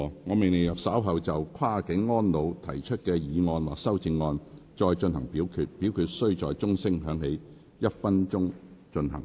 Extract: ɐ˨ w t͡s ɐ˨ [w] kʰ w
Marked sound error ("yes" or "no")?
no